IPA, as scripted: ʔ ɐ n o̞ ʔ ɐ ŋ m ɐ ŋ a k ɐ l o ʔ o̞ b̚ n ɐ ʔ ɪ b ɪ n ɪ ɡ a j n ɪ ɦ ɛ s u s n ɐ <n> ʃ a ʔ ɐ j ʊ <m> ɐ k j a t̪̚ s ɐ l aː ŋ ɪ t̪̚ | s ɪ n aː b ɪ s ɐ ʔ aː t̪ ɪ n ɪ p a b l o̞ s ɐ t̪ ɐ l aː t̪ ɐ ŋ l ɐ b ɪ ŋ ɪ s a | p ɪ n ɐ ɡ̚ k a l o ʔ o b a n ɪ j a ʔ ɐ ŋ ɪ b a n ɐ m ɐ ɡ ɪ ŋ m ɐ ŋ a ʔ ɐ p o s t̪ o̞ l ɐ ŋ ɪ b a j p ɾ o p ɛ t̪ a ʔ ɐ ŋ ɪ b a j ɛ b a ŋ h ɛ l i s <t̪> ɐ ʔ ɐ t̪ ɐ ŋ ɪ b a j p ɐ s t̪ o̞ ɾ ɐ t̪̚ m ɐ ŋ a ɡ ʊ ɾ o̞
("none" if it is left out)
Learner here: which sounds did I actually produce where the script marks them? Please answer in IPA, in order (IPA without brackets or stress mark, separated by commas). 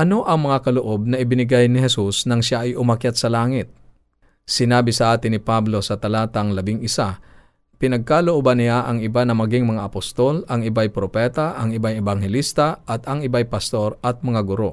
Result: ŋ, m, t̪